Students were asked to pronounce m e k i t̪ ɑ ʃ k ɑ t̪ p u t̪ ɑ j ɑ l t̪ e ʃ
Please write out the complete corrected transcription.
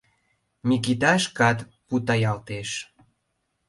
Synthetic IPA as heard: m i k i t̪ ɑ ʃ k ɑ t̪ p u t̪ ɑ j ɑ l t̪ e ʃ